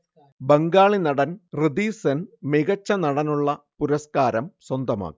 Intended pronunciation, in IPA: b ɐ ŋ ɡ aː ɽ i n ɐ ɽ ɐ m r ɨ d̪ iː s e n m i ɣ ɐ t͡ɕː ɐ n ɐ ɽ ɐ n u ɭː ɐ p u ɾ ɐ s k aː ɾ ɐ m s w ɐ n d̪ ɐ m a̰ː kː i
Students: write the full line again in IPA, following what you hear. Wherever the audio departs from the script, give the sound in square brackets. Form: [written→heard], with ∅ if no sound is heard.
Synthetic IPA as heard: b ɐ ŋ ɡ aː [ɽ→ɭ] i n ɐ ɽ ɐ [m→n] r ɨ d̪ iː s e n m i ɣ ɐ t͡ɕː ɐ n ɐ ɽ ɐ n u ɭː ɐ p u ɾ ɐ s k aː ɾ ɐ m s w ɐ n d̪ ɐ m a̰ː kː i